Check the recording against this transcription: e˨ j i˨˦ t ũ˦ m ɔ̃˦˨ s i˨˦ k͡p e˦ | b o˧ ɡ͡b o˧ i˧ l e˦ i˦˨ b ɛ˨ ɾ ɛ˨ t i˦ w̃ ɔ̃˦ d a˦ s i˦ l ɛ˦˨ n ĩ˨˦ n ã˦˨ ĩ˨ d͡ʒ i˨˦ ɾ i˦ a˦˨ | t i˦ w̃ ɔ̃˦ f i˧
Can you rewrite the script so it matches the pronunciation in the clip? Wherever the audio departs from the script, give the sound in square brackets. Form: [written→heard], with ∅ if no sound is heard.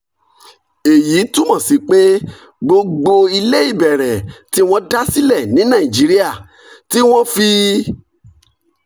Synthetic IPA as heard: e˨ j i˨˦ t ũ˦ m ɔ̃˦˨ s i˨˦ k͡p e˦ | [b→ɡ͡b] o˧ ɡ͡b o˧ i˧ l e˦ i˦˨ b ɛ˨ ɾ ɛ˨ t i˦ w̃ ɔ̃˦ d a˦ s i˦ l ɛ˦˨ n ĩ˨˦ n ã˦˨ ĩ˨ d͡ʒ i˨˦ ɾ i˦ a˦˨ | t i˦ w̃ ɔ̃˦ f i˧